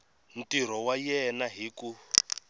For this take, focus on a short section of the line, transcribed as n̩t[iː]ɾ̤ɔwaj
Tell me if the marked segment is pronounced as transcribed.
no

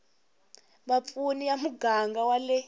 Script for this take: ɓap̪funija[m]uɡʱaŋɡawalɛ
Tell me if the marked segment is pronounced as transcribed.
yes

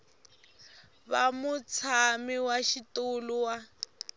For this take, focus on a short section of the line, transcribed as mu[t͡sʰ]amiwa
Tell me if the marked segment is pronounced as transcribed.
yes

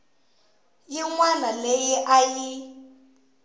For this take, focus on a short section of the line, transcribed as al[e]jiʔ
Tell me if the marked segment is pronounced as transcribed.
yes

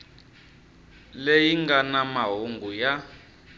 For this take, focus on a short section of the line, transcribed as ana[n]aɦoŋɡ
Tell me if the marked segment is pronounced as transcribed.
no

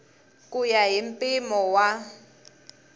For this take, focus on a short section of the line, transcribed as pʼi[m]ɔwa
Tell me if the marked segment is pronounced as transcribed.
yes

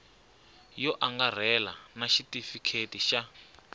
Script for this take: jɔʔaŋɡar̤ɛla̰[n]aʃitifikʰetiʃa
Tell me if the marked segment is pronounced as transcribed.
yes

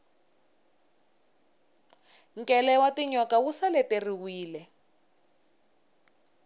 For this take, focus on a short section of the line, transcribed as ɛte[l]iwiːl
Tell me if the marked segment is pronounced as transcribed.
no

